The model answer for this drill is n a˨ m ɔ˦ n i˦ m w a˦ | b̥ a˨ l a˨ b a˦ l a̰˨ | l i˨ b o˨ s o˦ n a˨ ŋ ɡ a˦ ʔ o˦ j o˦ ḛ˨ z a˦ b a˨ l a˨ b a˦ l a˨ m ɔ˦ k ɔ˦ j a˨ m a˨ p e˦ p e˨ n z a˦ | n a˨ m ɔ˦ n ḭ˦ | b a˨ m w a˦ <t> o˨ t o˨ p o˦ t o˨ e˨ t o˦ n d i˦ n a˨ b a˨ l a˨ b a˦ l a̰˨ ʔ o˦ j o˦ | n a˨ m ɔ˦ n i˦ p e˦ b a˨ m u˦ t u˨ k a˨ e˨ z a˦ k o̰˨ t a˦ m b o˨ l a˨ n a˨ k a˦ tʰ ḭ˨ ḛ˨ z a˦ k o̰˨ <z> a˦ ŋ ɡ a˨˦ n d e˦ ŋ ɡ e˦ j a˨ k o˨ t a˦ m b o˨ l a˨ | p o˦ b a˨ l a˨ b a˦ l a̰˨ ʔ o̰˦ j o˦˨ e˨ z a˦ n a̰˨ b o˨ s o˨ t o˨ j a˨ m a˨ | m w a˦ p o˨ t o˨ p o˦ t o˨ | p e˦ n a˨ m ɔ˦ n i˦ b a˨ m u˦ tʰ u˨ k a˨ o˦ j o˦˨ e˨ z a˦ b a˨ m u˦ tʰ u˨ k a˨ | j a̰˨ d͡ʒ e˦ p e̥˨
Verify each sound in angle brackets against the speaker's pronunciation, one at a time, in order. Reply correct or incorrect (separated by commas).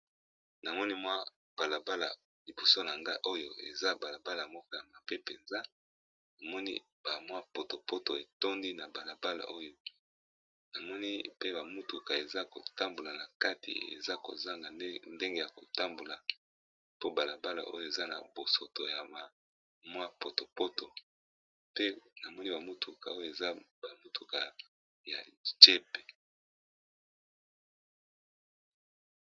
incorrect, correct